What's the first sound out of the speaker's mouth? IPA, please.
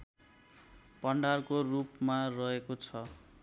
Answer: p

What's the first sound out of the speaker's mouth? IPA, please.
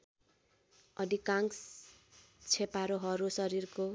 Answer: ʌ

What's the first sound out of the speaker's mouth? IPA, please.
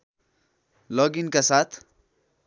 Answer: l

